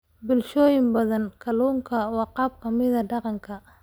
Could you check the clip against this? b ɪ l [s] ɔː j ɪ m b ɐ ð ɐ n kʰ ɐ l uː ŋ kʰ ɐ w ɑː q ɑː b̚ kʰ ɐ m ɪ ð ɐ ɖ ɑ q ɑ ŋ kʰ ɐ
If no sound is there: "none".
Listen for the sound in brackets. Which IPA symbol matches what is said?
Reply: ʃ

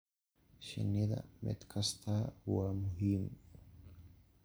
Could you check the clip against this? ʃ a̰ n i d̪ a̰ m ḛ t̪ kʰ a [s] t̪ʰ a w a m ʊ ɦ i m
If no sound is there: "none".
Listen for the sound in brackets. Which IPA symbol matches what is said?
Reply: s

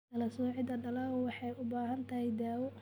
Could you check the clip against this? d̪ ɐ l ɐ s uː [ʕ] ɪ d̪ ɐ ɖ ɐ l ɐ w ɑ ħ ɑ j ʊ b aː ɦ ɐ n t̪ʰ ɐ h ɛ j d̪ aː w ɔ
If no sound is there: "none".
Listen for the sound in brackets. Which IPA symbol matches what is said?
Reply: ʕ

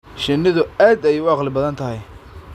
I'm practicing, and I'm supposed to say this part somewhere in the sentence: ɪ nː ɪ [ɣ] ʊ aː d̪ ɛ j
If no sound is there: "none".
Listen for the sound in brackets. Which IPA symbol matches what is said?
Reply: ð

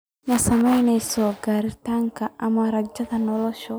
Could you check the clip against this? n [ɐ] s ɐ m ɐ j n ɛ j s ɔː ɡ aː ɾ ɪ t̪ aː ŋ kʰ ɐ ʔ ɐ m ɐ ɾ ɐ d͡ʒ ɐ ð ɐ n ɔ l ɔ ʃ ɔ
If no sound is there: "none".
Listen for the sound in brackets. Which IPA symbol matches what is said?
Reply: ɐ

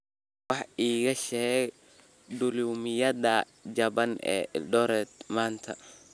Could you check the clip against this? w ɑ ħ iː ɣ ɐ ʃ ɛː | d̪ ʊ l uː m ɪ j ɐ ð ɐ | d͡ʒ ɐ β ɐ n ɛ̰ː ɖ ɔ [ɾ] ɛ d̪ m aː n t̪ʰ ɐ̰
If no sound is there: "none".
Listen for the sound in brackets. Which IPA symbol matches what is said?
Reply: ɾ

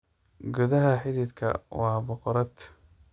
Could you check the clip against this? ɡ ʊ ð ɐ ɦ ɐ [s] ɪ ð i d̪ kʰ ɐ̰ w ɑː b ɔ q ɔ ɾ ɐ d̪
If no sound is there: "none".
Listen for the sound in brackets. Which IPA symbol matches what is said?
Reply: ħ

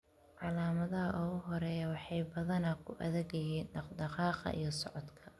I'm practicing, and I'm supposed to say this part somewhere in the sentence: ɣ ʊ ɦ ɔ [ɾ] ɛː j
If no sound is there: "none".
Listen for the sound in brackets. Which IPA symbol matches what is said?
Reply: ɾ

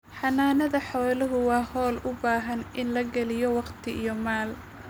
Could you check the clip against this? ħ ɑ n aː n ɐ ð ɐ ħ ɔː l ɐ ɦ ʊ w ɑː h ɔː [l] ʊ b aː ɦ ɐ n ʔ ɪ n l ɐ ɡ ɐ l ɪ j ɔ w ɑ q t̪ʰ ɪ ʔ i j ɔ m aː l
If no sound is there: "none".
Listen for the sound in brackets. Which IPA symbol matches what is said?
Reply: l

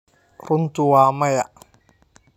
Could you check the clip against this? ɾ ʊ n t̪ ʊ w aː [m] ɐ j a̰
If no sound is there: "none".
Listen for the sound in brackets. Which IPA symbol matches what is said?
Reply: m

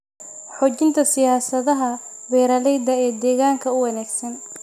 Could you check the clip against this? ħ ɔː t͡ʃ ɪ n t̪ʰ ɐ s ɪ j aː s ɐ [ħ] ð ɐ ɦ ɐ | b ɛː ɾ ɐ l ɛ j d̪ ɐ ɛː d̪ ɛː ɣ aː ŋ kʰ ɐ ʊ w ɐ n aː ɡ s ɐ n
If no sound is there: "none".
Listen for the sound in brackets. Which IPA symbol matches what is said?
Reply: none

